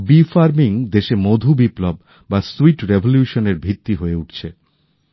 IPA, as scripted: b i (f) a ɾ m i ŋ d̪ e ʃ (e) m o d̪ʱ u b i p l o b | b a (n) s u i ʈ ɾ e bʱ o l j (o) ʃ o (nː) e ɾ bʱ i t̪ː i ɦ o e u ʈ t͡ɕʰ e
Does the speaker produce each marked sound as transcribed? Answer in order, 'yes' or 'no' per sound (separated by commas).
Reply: yes, yes, no, no, no